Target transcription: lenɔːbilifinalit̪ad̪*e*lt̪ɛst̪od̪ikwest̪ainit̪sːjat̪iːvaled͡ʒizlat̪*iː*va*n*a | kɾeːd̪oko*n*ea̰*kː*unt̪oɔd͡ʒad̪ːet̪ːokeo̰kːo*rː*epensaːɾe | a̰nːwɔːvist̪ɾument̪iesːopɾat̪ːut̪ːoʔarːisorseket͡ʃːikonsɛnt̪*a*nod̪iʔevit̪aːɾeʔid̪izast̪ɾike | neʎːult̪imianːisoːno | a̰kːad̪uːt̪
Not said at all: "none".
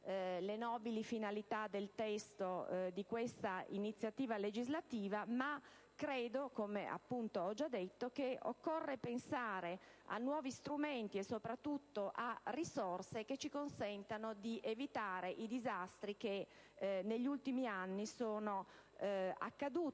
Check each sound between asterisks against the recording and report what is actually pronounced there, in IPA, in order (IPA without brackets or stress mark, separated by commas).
e, iː, m, m, pː, rː, a